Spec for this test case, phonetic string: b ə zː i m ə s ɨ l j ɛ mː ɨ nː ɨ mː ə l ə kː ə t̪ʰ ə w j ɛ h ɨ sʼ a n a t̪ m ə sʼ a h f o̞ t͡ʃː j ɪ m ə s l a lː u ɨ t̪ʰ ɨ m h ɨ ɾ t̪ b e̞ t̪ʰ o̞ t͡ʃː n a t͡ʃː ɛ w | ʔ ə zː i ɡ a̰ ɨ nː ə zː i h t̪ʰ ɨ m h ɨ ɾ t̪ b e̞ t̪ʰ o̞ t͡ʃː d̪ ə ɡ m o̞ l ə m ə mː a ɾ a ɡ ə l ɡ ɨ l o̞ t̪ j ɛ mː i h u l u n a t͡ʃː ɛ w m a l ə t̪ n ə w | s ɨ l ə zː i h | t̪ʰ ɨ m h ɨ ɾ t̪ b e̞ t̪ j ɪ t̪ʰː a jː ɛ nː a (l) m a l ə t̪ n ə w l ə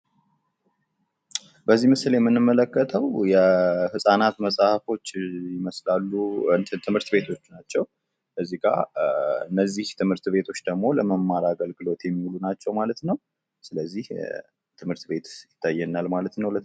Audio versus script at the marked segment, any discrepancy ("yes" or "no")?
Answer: no